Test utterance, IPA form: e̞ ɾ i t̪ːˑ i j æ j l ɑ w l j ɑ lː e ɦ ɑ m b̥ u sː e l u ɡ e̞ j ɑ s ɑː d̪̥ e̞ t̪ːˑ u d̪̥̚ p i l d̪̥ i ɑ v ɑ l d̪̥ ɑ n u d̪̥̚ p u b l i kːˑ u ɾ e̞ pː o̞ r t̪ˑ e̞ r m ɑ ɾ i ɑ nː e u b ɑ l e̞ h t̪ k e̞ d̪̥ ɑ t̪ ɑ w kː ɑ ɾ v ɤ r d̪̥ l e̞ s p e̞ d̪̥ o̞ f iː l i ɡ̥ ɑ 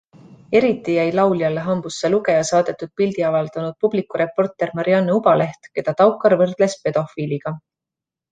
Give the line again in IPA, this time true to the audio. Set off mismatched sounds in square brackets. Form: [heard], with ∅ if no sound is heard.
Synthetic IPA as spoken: e̞ ɾ i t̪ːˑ i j æ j l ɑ w l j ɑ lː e ɦ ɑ m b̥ u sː e l u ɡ e̞ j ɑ s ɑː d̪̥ e̞ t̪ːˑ u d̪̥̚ p i l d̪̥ i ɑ v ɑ l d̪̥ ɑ n u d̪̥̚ p u b l i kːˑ u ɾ e̞ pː o̞ r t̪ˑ e̞ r m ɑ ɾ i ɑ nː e u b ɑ l e̞ h t̪ k e̞ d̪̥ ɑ t̪ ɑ w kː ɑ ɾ v ɤ r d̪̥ l e̞ s p e̞ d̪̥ o̞ f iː l i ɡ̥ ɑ